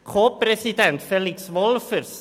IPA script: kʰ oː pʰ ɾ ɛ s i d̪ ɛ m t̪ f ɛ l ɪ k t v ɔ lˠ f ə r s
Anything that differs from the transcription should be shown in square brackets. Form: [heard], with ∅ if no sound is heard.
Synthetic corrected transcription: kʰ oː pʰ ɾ ɛ s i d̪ ɛ [n] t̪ f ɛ l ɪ k [s] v ɔ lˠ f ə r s